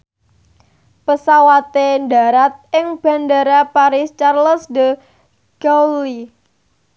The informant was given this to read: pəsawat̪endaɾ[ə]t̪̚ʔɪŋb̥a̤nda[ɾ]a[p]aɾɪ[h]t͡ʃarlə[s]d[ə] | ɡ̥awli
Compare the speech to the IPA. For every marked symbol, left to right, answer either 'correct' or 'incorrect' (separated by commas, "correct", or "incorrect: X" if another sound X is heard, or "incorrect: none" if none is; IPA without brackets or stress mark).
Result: incorrect: a, correct, correct, incorrect: s, correct, correct